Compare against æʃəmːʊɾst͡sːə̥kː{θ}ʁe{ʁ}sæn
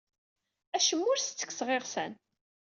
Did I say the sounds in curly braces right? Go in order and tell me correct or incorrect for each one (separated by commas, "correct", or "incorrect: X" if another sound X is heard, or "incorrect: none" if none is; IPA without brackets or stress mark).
incorrect: s, correct